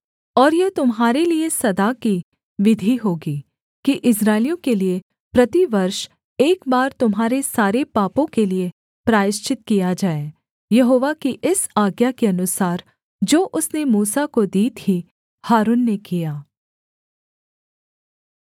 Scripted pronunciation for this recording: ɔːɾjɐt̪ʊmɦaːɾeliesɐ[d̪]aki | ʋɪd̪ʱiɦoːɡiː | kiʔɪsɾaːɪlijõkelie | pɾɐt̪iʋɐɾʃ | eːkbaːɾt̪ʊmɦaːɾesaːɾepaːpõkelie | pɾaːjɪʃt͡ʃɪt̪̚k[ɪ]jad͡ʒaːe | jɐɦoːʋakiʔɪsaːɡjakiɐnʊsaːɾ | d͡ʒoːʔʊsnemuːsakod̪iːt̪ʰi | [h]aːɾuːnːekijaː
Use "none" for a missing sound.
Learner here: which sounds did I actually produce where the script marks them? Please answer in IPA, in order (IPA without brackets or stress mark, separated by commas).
d̪, i, h